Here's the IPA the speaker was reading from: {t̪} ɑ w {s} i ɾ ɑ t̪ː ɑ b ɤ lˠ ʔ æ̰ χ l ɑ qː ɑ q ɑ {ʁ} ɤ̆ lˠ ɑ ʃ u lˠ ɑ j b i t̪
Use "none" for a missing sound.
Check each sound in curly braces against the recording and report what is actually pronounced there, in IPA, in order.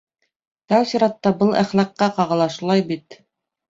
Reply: t̪, s, ʁ

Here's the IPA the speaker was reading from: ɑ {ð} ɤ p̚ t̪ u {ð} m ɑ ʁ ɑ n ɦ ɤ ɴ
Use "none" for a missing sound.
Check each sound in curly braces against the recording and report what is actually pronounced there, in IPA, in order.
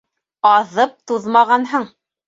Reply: ð, ð

